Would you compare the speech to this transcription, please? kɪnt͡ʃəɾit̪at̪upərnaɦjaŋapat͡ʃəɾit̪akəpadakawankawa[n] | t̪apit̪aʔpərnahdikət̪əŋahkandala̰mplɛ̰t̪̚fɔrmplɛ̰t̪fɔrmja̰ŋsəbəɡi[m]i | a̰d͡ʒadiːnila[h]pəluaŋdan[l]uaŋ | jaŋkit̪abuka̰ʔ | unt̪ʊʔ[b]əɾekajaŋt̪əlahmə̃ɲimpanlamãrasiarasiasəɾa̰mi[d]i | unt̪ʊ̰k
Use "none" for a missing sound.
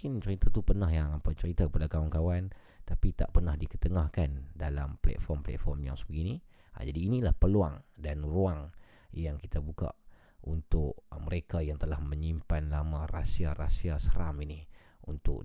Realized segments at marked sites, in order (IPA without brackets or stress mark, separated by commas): n, n, h, r, m, n